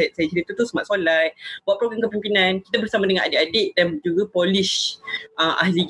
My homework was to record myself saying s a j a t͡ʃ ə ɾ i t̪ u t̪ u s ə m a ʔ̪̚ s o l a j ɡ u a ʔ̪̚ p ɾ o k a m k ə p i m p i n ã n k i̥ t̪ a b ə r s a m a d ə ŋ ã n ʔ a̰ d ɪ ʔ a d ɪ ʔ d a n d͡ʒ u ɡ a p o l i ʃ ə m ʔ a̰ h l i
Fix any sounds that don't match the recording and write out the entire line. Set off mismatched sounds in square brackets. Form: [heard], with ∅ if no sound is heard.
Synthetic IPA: s a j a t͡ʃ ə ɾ i t̪ u t̪ u s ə m a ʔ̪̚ s o l a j [b] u a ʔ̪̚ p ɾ o [ɡ] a m k ə p i m p i n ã n k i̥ t̪ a b ə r s a m a d ə ŋ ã n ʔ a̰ d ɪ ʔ a d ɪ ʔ d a n d͡ʒ u ɡ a p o l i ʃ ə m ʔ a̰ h l i